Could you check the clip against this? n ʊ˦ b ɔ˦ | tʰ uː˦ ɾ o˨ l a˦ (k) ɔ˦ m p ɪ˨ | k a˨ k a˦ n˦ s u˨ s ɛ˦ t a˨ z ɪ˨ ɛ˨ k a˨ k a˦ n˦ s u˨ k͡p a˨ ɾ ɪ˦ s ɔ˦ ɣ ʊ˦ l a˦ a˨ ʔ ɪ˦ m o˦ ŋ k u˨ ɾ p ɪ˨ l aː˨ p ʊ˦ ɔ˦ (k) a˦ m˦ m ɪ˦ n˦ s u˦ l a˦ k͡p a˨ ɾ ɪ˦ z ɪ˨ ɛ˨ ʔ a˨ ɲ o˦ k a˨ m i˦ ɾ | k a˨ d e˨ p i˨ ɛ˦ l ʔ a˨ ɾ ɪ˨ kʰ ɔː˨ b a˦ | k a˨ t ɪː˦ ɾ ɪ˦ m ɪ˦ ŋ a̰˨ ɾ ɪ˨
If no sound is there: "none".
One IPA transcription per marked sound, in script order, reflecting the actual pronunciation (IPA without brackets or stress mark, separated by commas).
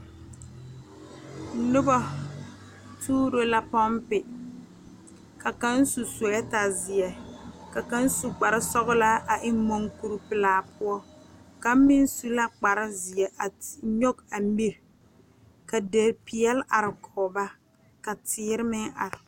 p, k